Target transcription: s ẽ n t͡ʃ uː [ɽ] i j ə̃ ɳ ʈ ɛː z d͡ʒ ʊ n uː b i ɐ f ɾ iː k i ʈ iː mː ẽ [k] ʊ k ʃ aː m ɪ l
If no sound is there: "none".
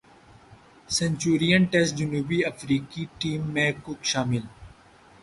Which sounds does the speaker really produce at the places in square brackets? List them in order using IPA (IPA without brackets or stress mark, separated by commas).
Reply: ɾ, k